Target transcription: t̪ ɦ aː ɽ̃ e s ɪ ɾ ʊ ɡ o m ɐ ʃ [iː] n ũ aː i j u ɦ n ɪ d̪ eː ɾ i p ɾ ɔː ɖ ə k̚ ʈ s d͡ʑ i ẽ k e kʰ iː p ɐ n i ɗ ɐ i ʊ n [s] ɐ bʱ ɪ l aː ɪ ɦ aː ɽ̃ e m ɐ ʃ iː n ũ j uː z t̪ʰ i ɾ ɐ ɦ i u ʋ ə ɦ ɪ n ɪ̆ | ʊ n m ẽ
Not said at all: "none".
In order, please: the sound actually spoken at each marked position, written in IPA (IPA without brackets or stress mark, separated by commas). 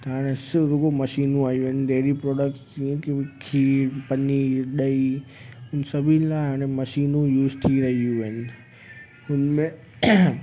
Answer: iː, s